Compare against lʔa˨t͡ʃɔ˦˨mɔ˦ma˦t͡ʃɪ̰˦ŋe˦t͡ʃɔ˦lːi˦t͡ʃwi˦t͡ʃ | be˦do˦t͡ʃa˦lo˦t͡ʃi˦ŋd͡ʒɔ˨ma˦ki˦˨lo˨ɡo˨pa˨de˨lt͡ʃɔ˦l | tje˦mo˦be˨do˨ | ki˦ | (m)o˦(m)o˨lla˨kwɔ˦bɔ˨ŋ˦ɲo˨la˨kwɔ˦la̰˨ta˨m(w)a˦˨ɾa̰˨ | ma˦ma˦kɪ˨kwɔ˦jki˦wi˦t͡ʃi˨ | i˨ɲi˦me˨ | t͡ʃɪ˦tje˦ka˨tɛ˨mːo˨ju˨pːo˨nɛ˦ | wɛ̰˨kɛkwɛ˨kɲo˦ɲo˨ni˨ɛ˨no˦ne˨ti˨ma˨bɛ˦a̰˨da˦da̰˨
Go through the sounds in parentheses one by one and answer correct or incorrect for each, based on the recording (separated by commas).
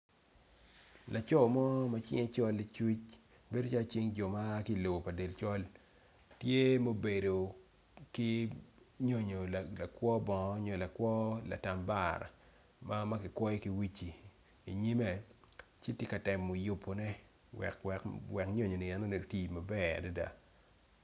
incorrect, incorrect, incorrect